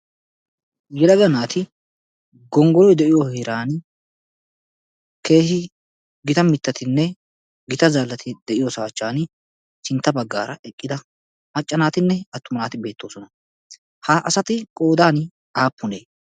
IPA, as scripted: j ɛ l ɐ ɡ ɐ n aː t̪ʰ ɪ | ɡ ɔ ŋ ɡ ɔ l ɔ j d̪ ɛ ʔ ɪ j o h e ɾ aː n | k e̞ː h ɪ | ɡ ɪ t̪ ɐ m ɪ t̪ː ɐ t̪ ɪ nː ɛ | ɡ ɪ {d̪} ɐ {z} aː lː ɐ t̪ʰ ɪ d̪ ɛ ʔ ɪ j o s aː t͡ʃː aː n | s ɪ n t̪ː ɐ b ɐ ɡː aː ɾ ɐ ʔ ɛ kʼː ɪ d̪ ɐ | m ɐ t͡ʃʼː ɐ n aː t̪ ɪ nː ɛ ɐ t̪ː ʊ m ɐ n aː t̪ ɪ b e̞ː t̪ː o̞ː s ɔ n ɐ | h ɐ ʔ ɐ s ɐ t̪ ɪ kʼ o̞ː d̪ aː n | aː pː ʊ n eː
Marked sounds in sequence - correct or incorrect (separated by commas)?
incorrect, correct